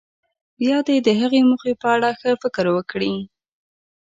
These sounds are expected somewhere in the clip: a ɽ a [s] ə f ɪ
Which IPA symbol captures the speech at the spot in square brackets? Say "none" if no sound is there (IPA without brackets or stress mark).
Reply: x